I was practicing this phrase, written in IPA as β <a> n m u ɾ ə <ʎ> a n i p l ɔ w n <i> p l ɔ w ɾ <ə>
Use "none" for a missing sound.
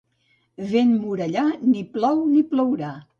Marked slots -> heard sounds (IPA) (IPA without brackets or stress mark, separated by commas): e, ʎ, i, a